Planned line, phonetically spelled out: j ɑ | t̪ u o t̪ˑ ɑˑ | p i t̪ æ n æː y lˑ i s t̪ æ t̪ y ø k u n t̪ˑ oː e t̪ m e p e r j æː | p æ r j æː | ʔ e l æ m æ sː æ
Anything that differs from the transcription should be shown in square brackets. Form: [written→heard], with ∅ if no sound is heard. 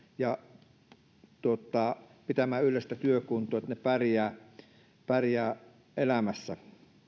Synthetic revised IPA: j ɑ | t̪ u o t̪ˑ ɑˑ | p i t̪ æ [n→m] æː y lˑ [i→e] s t̪ æ t̪ y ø k u n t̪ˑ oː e t̪ [m→n] e p [e→æ] r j æː | p æ r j æː | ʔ e l æ m æ sː æ

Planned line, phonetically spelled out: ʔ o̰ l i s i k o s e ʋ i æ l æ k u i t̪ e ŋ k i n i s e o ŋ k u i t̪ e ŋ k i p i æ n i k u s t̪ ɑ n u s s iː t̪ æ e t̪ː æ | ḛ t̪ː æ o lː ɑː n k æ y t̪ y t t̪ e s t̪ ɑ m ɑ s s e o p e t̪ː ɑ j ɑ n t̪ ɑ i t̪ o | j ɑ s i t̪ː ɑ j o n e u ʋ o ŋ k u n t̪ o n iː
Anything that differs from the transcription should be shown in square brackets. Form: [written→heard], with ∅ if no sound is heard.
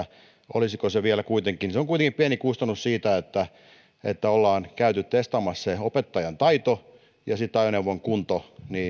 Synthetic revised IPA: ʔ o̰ l i s i k o s e ʋ i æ l æ k u i t̪ e ŋ k i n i s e o ŋ k u i t̪ e ŋ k i p i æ n i k u s t̪ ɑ n u s s iː t̪ æ e t̪ː æ | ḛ t̪ː æ o lː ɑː n k æ y t̪ y t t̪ e s t̪ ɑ m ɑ s s e o p e t̪ː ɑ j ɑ n t̪ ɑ i t̪ o | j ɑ s i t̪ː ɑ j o n e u ʋ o ŋ k u n t̪ o n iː

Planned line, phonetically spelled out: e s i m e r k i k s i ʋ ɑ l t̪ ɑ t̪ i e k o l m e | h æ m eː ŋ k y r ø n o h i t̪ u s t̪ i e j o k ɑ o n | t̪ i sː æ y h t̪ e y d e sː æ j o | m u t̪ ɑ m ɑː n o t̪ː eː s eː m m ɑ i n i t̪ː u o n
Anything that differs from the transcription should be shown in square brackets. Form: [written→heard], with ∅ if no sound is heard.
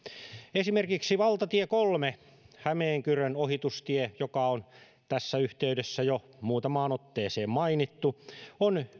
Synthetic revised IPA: e s i m e r k i k s i ʋ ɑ l t̪ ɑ t̪ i e k o l m e | h æ m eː ŋ k y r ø n o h i t̪ u s t̪ i e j o k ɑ o n | t̪ [i→æ] sː æ y h t̪ e y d e sː æ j o | m [u→uː] t̪ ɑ m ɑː n o t̪ː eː s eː m m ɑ i n i t̪ː u o n

